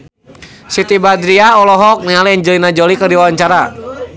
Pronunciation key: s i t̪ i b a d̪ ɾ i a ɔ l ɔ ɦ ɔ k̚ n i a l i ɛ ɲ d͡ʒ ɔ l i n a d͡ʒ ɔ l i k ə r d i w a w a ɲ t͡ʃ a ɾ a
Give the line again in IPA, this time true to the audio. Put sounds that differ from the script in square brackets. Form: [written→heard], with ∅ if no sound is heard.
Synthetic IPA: s i t̪ i b a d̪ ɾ i a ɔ l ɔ ɦ ɔ k̚ n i a l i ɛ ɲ d͡ʒ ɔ l i n a d͡ʒ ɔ l i k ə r d i w a w a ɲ t͡ʃ a ɾ a